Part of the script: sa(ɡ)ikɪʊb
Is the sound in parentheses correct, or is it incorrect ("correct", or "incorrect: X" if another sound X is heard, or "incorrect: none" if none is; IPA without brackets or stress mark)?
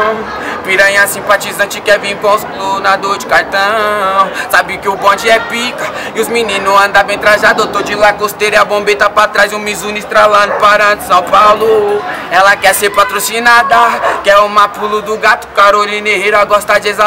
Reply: incorrect: b